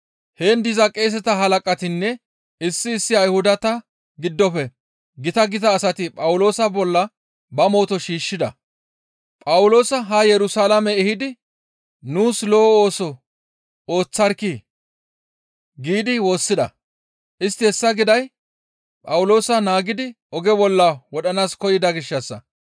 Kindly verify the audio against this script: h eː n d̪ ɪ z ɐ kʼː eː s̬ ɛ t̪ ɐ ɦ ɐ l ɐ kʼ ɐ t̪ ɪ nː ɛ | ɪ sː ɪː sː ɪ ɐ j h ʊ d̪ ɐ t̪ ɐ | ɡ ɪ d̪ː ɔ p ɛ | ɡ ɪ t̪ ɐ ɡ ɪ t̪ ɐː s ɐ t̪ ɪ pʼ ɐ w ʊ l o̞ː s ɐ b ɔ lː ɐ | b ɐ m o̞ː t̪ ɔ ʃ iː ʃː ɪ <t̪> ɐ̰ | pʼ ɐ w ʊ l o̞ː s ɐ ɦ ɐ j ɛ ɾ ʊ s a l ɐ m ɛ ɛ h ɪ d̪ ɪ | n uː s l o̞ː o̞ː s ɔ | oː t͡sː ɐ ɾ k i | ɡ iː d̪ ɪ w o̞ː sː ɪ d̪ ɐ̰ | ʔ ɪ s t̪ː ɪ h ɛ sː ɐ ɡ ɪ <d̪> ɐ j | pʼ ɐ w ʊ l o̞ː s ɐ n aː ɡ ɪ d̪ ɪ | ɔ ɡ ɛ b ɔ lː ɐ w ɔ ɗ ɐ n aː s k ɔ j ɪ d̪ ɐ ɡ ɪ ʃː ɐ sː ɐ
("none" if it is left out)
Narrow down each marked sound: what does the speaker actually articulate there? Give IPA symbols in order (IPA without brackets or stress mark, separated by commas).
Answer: d̪, d̪